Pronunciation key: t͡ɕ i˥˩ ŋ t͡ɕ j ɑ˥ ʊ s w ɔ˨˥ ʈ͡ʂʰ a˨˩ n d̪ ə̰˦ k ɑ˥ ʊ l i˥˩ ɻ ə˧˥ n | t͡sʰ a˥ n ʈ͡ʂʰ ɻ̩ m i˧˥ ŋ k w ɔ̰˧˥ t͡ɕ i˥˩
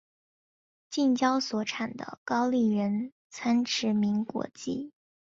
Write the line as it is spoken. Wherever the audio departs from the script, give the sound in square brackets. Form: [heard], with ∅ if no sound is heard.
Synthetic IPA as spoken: t͡ɕ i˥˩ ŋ t͡ɕ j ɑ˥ ʊ s w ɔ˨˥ ʈ͡ʂʰ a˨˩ n d̪ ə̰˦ k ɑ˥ ʊ l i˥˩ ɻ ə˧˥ n | t͡sʰ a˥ n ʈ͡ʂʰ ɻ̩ m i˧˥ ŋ k w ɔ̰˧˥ t͡ɕ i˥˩